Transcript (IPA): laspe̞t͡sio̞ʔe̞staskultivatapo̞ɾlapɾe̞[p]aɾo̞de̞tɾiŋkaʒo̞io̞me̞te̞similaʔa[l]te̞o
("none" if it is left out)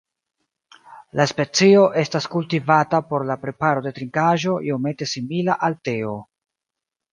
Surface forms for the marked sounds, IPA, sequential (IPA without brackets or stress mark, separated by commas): p, l